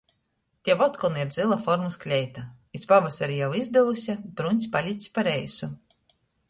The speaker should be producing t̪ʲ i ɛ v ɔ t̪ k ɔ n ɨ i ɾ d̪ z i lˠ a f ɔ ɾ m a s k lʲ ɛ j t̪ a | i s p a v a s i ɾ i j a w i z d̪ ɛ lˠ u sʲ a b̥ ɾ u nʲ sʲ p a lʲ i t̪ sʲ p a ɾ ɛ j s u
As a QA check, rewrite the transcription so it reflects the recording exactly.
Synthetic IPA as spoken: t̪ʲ i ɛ v ɔ t̪ k ɔ n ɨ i ɾ d̪ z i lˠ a f ɔ ɾ m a s k lʲ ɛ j t̪ a | i s p a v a s a ɾ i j a w i z d̪ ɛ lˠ u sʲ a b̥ ɾ u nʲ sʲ p a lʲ i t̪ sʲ p a ɾ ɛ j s u